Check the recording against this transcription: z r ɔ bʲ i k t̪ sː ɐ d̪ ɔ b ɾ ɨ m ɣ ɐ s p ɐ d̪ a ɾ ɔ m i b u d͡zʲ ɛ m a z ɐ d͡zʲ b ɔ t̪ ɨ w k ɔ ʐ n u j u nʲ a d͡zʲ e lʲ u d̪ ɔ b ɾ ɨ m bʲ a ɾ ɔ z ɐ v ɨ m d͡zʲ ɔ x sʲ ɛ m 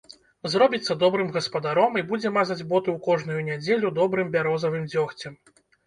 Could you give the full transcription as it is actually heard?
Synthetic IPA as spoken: z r ɔ bʲ i t̪ sː ɐ d̪ ɔ b ɾ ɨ m ɣ ɐ s p ɐ d̪ a ɾ ɔ m i b u d͡zʲ ɛ m a z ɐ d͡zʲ b ɔ t̪ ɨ w k ɔ ʐ n u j u nʲ a d͡zʲ e lʲ u d̪ ɔ b ɾ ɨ m bʲ a ɾ ɔ z ɐ v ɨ m d͡zʲ ɔ x t͡sʲ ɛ m